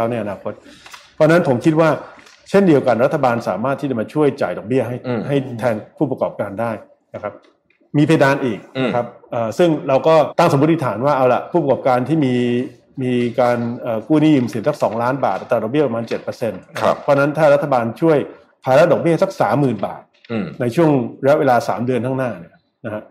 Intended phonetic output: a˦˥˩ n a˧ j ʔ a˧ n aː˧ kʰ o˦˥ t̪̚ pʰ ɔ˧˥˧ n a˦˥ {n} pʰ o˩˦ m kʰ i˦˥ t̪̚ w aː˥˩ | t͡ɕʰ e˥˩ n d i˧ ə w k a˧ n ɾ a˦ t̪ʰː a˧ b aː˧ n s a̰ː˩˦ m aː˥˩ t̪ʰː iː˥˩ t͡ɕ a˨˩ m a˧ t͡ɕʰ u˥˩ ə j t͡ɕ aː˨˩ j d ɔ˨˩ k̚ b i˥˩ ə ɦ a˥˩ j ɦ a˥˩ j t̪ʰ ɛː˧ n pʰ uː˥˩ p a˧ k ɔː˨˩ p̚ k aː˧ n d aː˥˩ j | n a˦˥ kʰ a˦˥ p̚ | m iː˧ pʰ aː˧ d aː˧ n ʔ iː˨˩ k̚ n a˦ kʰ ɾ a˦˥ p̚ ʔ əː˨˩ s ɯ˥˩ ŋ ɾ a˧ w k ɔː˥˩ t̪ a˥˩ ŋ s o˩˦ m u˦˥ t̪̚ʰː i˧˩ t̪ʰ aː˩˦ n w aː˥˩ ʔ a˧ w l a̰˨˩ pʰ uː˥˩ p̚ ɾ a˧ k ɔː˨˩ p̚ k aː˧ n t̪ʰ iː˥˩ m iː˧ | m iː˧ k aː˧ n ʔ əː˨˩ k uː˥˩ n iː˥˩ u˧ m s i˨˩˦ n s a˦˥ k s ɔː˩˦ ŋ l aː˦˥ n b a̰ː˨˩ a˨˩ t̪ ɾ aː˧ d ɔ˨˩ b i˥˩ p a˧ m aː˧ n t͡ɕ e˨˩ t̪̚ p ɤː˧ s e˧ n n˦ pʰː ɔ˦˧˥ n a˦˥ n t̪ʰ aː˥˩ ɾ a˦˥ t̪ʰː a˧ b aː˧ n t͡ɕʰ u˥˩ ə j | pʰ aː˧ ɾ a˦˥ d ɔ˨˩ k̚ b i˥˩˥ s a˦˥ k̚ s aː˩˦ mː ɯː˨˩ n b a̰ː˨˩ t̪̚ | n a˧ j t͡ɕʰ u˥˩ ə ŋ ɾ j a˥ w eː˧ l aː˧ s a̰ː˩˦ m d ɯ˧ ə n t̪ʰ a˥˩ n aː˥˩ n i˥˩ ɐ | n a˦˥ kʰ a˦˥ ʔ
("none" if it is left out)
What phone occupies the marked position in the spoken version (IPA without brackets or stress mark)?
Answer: n